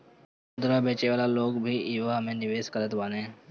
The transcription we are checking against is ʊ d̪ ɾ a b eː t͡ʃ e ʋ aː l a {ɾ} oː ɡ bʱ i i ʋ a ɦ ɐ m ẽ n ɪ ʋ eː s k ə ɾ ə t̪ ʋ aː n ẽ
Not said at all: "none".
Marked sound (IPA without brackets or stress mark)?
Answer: l